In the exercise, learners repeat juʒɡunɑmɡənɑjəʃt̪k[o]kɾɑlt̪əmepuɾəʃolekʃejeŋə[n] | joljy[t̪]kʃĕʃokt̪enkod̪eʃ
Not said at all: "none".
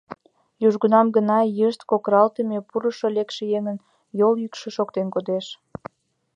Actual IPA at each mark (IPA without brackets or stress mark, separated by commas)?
o, n, none